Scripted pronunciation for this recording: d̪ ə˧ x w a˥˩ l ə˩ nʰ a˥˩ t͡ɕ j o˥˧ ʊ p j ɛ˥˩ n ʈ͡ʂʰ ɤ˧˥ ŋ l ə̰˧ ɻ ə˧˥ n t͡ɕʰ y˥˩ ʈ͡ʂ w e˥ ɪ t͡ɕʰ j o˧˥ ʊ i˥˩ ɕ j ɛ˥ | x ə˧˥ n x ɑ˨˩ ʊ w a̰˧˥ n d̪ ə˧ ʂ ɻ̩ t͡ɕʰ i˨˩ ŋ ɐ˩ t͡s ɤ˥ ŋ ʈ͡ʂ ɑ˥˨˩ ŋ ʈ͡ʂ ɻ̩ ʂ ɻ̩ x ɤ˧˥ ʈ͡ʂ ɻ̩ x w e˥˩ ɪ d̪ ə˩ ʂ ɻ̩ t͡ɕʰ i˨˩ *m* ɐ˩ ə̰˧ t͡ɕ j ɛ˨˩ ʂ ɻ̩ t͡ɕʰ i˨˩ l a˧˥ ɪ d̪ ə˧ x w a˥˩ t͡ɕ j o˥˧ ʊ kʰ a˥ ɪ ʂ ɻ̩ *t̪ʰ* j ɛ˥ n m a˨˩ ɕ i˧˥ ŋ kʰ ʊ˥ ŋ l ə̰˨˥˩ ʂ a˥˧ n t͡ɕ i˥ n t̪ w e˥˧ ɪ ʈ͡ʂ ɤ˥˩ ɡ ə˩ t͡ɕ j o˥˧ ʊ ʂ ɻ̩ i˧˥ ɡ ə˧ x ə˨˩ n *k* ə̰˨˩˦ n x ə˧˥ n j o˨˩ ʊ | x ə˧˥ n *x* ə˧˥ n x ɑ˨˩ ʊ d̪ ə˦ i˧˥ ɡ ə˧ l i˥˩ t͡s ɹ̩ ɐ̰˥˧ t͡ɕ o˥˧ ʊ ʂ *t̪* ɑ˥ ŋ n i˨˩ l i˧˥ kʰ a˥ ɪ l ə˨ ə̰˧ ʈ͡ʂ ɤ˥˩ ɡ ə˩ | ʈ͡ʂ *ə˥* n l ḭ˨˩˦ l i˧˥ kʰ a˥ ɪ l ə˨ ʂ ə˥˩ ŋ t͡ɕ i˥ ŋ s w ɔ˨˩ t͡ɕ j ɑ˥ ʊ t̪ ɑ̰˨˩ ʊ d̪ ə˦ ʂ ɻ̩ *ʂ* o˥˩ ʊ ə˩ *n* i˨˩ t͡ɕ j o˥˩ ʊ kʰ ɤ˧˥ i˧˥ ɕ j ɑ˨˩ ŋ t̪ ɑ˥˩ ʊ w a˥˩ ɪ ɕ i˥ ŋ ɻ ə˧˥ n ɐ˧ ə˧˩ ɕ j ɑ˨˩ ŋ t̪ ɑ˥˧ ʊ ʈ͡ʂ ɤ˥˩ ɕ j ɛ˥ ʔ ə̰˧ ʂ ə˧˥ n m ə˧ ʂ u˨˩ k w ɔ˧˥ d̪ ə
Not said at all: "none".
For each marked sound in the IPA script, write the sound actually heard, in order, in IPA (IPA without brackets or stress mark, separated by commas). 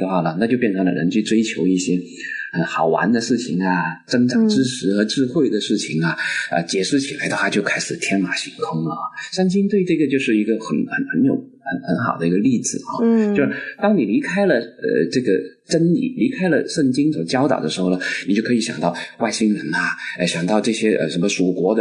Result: ŋ, t̪ʰ, x, x, t̪, ə˥, x, n